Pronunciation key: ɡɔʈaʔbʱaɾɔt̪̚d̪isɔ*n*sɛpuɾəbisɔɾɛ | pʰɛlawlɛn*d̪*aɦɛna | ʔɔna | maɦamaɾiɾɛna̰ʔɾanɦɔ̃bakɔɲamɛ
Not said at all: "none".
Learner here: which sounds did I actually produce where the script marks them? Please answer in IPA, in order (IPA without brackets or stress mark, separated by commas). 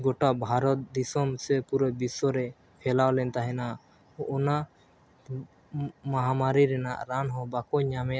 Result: m, t̪